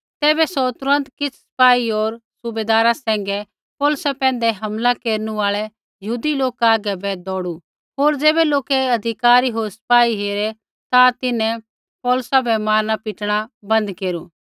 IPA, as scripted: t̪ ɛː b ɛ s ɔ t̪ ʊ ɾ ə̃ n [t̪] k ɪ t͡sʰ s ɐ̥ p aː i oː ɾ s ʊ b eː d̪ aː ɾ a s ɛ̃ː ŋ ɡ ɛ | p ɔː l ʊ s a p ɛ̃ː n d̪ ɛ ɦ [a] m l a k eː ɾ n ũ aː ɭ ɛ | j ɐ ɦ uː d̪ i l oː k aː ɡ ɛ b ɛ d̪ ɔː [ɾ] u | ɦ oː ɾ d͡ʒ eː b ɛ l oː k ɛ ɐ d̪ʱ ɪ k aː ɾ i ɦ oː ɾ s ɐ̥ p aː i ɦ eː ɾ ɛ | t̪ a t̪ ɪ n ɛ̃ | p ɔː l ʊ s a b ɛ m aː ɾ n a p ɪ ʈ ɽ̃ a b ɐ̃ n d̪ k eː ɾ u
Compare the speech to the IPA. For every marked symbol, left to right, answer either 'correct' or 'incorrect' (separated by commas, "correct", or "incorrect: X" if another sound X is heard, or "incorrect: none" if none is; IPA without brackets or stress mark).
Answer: correct, incorrect: ɐ, incorrect: ɽ